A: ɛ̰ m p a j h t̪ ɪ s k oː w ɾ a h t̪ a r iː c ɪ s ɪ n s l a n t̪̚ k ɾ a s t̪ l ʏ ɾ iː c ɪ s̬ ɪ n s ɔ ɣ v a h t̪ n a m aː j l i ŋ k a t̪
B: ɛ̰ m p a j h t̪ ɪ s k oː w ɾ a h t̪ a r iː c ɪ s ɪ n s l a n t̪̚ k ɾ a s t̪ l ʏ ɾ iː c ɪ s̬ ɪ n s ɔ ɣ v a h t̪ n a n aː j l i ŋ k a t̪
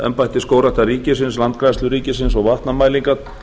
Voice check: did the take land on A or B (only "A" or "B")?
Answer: A